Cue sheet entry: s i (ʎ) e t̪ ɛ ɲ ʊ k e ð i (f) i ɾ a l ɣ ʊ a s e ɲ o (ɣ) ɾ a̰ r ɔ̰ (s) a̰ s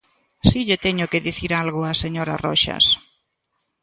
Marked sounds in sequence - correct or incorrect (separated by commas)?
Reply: correct, incorrect, incorrect, incorrect